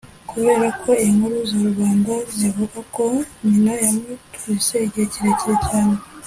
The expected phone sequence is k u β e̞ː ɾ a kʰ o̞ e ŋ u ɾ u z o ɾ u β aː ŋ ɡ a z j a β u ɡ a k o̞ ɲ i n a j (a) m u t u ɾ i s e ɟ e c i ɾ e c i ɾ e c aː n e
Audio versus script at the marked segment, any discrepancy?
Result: no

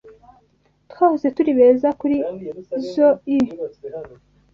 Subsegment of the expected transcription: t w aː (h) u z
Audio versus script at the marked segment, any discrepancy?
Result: no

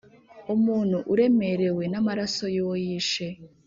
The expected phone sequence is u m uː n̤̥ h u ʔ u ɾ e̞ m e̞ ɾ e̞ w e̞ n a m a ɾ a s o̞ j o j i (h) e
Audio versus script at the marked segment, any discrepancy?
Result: yes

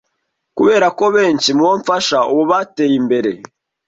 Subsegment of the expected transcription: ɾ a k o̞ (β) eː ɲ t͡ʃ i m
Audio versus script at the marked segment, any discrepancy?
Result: no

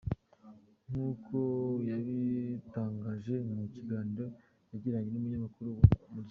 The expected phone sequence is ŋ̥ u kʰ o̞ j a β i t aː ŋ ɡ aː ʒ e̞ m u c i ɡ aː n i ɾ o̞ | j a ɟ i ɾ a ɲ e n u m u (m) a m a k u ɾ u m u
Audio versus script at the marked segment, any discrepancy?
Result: yes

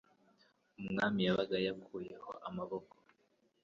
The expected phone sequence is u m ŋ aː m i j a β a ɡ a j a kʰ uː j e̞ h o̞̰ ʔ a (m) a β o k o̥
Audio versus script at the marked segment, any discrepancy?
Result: no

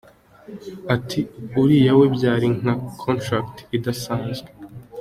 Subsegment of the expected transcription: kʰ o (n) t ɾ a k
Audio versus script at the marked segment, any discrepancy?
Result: no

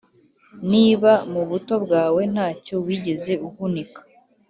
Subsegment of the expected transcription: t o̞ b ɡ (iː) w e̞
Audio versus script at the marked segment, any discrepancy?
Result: yes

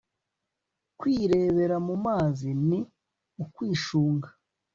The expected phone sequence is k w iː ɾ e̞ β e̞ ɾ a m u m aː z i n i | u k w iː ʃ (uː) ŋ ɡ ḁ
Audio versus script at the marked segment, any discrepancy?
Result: no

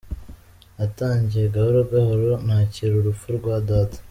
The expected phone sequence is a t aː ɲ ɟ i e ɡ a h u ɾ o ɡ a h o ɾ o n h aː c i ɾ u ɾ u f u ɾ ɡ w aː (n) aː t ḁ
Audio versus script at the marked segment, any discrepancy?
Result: yes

